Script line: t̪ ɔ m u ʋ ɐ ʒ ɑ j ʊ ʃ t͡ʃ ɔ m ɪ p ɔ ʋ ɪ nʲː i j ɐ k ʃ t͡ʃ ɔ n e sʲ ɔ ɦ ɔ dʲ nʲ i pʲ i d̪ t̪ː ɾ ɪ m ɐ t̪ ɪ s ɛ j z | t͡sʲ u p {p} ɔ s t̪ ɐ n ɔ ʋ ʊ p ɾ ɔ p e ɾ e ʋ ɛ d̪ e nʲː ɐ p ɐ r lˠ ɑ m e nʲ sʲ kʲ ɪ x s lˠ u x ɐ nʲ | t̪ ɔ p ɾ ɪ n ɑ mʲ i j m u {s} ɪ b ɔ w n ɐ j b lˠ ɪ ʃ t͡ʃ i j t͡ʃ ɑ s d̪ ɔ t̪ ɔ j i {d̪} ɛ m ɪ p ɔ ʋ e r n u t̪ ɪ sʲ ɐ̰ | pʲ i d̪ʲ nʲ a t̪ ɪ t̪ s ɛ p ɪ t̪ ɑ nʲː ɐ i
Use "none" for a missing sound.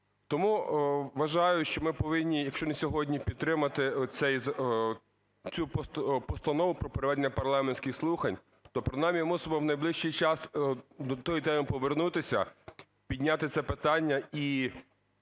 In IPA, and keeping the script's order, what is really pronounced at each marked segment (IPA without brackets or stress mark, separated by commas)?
p, s, t̪